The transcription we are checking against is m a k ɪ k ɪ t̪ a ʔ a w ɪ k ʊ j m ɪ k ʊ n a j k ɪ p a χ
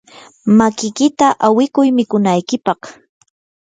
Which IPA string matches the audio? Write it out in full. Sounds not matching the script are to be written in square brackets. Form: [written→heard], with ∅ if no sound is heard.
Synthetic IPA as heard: m a k ɪ k ɪ t̪ a ʔ a w ɪ k ʊ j m ɪ k ʊ n a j k ɪ p [a→ɑ] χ